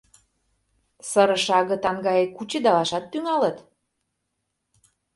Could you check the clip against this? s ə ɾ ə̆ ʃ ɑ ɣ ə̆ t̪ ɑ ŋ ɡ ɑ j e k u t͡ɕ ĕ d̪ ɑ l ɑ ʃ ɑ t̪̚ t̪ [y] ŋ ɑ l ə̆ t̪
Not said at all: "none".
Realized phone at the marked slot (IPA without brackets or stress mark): y